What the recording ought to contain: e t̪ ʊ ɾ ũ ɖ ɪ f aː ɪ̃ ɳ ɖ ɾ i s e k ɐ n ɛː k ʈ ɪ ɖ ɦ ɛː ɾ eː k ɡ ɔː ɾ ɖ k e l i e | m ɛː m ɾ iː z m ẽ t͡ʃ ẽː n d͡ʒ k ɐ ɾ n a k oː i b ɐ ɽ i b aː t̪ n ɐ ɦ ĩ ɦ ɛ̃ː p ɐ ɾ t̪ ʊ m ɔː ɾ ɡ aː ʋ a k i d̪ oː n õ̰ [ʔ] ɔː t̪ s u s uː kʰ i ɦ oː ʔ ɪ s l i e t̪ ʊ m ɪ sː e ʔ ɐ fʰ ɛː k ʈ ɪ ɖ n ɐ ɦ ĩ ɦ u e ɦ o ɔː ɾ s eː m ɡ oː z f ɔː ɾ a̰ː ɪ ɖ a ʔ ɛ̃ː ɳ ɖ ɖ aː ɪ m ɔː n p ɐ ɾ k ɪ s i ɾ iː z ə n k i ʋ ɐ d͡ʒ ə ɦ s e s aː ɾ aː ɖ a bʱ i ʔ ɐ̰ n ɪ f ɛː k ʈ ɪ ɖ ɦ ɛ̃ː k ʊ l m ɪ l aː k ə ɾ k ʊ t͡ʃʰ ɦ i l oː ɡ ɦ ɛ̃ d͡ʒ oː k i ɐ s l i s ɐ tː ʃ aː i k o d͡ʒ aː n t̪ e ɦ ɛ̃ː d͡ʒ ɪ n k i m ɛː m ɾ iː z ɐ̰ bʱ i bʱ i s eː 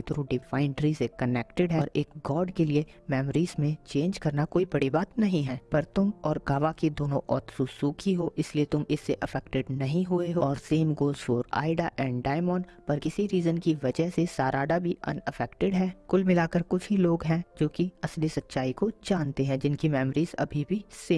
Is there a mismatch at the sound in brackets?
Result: no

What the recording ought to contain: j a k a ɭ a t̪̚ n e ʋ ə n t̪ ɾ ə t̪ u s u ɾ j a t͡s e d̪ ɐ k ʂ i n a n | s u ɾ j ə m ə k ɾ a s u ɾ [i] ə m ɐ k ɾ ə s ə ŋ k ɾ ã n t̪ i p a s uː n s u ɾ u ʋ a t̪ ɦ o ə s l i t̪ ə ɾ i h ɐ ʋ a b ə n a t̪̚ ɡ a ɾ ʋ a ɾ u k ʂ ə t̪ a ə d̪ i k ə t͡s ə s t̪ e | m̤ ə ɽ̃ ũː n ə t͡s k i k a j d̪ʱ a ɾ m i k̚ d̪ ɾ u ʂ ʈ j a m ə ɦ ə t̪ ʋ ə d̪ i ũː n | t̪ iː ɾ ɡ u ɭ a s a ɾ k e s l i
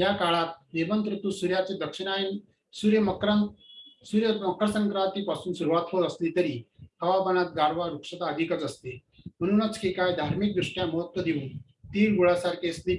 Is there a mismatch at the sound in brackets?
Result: yes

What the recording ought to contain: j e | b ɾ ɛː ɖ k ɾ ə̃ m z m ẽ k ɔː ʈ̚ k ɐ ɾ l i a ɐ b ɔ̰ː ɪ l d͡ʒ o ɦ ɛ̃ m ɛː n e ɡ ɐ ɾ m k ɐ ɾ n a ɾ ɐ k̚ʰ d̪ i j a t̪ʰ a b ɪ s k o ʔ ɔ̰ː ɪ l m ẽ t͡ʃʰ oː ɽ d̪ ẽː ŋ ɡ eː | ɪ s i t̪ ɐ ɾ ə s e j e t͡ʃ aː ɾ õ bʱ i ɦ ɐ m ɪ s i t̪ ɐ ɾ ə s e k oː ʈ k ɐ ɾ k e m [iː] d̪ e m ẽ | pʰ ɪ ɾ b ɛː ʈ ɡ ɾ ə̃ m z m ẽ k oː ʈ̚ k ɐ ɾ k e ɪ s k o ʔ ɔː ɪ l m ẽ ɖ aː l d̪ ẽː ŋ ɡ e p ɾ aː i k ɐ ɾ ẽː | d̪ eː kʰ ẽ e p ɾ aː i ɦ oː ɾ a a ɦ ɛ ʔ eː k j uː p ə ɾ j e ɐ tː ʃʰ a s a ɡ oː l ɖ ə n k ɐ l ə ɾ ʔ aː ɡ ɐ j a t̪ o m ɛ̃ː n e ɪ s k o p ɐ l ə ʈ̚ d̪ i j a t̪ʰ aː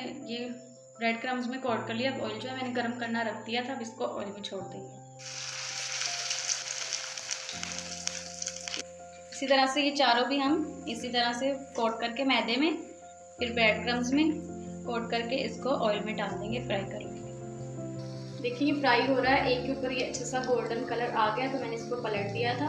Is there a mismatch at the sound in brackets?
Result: yes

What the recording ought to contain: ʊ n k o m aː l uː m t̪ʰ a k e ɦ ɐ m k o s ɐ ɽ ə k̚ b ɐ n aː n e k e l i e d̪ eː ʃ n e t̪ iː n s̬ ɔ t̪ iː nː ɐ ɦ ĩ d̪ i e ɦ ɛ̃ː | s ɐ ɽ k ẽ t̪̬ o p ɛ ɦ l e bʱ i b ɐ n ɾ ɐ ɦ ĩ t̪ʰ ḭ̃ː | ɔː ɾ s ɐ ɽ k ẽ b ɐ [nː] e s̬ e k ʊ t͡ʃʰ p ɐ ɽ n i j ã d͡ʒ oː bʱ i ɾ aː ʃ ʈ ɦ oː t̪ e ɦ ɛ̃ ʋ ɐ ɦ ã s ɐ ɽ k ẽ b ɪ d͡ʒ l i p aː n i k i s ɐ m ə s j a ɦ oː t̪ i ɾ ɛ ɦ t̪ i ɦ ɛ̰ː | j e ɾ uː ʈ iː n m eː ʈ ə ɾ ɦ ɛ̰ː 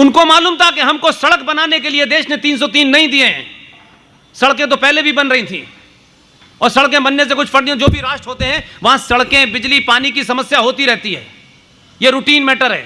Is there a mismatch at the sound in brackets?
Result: no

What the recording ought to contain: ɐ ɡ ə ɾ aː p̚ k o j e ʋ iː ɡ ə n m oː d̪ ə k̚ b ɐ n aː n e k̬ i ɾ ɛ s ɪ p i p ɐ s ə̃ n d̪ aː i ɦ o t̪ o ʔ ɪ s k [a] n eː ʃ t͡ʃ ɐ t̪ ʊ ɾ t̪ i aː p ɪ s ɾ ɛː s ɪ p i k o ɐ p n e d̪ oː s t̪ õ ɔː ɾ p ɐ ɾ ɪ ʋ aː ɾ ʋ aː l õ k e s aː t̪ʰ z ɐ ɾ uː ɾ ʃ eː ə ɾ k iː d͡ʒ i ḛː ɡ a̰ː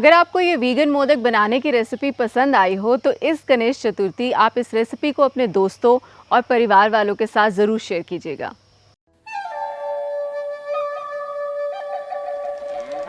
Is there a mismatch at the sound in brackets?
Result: yes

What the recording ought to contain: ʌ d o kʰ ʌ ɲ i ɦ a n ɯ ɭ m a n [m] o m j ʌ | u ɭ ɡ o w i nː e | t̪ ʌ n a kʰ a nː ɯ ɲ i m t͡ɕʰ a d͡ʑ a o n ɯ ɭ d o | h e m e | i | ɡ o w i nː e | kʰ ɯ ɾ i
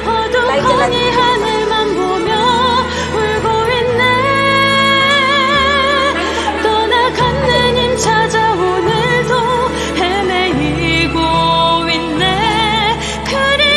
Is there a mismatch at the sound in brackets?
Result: yes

